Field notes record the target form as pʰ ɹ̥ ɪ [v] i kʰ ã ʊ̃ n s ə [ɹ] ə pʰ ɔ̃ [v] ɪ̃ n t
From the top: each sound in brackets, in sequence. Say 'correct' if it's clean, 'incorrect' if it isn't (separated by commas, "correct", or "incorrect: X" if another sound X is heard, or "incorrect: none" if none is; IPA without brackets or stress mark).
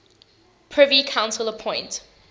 correct, incorrect: l, incorrect: none